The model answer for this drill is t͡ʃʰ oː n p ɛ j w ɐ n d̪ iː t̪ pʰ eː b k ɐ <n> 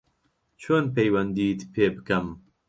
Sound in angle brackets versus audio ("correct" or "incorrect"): incorrect